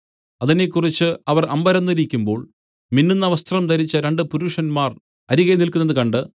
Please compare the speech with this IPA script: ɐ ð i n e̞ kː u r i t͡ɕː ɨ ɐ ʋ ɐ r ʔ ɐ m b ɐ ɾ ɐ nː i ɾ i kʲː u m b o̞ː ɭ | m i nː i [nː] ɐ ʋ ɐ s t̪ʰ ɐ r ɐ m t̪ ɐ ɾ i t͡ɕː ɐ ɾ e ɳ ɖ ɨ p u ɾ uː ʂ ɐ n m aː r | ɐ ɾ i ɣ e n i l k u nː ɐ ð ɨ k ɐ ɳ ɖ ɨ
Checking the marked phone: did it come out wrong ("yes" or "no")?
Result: no